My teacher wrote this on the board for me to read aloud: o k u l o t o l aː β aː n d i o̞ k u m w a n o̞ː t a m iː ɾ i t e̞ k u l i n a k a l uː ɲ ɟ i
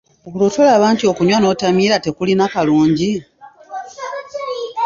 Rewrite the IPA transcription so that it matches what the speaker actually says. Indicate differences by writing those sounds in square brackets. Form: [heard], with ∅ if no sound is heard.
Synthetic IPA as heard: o k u l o t o l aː β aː n [t] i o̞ k u [ɲ] w a n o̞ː t a m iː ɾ [a] t e̞ k u l i n a k a l uː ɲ ɟ i

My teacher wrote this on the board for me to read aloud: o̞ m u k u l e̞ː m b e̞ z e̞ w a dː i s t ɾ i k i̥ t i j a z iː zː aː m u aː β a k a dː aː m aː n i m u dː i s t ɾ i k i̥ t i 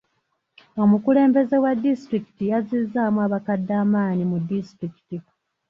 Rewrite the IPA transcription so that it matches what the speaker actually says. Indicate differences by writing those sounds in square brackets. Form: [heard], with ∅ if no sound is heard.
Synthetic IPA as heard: o̞ m u k u l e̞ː m b e̞ z e̞ w a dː i s t ɾ i k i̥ t i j a z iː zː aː m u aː β a k a dː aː m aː n i m u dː i s t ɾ i k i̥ t i

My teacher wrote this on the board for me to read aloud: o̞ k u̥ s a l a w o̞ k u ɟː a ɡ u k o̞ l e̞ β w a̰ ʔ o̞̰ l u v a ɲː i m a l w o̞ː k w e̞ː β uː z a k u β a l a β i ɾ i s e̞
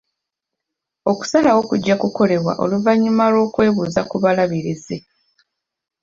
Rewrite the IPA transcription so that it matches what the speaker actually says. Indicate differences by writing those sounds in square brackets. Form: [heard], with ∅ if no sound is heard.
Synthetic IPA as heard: o̞ k u̥ s a l a w o̞ k u ɟː a [k] u k o̞ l e̞ β w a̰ ʔ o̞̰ l u v a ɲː i m a l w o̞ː k w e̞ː β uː z a k u β a l a β i ɾ i [z] e̞

